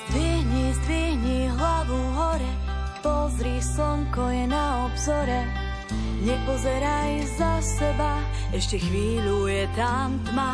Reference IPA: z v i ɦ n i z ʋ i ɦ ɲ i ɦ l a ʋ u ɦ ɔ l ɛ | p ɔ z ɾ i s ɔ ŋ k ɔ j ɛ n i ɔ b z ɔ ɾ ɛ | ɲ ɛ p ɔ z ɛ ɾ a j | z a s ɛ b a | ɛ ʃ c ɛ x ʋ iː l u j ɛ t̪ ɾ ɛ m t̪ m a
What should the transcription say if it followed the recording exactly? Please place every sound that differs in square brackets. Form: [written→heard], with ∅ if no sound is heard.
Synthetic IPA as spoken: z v i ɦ [n→ɲ] i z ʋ i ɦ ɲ i ɦ l a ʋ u ɦ ɔ [l→ɾ] ɛ | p ɔ z ɾ i s ɔ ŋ k ɔ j ɛ n [i→a] ɔ b z ɔ ɾ ɛ | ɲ ɛ p ɔ z ɛ ɾ a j | z a s ɛ b a | ɛ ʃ c ɛ x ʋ iː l u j ɛ t̪ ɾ [ɛ→a] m t̪ m a